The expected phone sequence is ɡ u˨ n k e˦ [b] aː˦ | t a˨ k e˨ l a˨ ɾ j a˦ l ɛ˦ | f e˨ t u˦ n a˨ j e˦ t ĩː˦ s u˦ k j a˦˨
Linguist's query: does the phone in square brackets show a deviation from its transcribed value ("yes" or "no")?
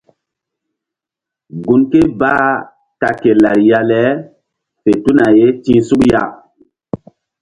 no